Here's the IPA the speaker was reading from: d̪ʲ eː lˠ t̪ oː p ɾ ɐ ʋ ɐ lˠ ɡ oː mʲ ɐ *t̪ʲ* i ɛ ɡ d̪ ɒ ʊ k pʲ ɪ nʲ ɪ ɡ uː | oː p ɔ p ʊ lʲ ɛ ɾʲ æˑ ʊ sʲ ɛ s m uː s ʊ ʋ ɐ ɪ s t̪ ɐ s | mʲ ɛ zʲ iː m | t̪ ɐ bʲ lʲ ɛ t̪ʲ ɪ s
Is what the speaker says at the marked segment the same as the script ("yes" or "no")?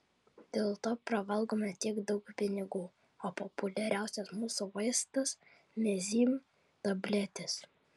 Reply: yes